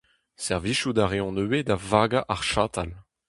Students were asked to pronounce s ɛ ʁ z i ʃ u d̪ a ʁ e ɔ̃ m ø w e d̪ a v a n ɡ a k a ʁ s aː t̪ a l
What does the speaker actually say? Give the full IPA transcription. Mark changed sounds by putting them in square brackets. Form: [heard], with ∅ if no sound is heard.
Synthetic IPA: s ɛ ʁ [v] i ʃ u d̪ a ʁ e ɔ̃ [n] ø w e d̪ a v a [∅] ɡ a [ʔ] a ʁ [ʃ] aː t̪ a l